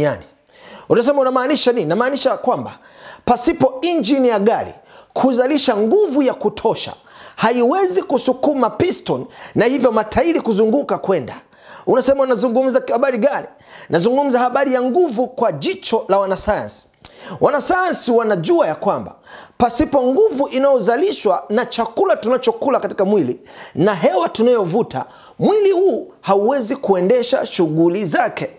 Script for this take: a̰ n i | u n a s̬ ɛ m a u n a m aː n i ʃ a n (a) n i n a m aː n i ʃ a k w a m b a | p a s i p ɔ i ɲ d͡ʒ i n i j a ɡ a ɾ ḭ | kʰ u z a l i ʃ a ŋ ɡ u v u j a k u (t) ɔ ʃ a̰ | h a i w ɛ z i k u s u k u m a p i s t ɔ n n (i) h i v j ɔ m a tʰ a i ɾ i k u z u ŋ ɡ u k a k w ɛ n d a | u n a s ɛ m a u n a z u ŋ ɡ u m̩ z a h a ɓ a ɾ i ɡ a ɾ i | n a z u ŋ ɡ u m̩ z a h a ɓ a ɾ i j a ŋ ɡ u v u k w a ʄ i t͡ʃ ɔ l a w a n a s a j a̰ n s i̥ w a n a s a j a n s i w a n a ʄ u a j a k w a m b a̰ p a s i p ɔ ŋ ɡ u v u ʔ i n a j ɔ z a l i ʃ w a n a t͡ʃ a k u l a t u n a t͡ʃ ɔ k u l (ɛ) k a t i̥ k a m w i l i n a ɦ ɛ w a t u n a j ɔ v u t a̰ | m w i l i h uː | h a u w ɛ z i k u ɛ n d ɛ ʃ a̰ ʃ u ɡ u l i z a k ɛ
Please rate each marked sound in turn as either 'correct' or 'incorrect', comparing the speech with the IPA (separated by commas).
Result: incorrect, incorrect, incorrect, incorrect